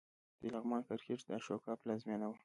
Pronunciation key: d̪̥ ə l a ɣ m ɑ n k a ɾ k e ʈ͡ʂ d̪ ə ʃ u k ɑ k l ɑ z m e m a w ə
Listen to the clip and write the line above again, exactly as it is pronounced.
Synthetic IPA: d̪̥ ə l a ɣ m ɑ n k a ɾ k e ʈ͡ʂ d̪ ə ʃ o k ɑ p l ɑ z m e n a w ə